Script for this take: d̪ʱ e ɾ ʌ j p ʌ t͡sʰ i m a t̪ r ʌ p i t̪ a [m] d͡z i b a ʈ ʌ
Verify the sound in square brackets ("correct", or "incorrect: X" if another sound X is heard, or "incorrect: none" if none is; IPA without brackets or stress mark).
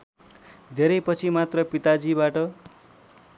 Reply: incorrect: none